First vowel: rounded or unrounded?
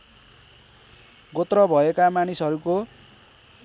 rounded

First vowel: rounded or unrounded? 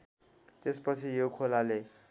unrounded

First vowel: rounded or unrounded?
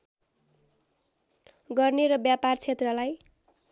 unrounded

